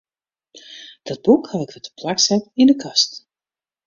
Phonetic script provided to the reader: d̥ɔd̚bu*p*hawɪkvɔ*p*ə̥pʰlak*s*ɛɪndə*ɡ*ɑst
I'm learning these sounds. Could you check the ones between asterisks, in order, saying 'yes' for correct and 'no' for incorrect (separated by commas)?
no, no, yes, no